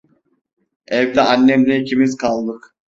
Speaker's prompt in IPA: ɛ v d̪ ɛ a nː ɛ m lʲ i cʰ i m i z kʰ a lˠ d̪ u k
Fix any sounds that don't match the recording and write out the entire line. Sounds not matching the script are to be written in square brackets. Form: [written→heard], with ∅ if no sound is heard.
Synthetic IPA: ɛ v d̪ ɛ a nː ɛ m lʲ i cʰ i m i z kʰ a lˠ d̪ [u→ɯ] k